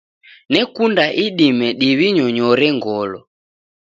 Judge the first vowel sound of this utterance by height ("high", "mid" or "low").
mid